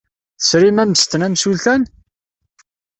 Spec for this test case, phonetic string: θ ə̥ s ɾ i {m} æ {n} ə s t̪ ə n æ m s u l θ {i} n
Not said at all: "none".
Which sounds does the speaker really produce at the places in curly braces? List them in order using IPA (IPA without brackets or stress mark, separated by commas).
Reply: m, m, æ